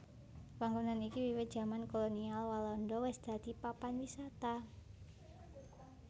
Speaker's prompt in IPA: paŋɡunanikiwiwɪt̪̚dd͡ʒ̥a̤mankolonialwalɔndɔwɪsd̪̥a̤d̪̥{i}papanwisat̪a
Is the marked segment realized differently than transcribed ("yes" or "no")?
no